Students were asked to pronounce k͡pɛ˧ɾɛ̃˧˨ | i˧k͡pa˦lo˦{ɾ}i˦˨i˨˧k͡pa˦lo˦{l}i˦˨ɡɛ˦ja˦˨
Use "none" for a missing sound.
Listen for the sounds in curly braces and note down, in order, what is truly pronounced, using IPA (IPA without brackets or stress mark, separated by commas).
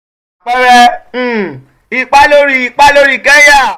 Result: ɾ, ɾ